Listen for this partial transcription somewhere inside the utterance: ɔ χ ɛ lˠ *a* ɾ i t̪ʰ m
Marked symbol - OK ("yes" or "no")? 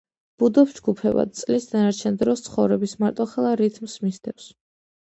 yes